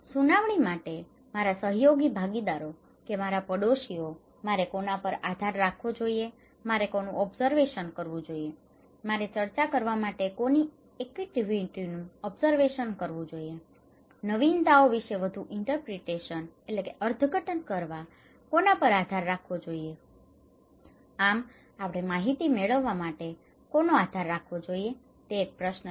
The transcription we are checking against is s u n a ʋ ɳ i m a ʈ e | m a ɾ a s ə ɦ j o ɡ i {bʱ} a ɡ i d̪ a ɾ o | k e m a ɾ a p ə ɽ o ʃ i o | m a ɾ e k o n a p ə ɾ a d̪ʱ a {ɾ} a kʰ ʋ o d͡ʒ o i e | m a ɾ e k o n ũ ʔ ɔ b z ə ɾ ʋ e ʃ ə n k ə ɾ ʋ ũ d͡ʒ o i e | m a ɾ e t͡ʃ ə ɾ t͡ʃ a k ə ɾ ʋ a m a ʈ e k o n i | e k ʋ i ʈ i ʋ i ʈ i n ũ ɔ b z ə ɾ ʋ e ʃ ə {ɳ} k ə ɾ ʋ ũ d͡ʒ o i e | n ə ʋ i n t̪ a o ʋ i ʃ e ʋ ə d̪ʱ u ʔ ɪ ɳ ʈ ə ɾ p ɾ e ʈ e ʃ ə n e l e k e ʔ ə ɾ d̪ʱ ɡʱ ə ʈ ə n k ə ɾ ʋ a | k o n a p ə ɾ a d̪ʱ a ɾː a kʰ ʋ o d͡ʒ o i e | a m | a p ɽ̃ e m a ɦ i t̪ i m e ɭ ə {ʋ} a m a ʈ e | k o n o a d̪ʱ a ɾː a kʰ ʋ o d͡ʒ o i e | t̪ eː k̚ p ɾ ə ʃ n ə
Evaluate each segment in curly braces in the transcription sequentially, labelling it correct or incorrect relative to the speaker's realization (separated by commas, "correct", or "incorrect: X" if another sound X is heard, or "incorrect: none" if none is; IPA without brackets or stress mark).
correct, incorrect: ɾː, incorrect: n, incorrect: ʋː